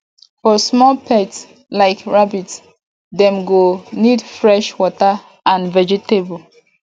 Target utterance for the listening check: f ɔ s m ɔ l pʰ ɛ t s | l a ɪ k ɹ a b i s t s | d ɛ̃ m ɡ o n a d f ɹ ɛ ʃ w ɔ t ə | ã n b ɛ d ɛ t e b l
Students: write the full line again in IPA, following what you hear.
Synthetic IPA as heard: f ɔ s m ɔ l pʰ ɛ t s | l a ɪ k ɹ a b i t s | d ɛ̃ m ɡ o n i d f ɹ ɛ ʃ w ɔ t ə | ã n v ɛ d͡ʒ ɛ t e b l